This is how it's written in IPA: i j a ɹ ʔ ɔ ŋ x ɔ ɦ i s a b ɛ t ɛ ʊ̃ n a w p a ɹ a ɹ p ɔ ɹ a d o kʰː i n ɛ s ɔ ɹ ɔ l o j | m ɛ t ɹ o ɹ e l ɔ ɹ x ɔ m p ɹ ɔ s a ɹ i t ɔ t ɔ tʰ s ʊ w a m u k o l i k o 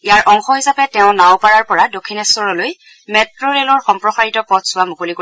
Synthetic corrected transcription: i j a ɹ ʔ ɔ ŋ x ɔ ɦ i s a p ɛ t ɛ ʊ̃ n a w p a ɹ a ɹ p ɔ ɹ a d o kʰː i n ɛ s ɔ ɹ ɔ l o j | m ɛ t ɹ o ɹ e l ɔ ɹ x ɔ m p ɹ ɔ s a ɹ i t ɔ p ɔ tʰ s ʊ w a m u k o l i k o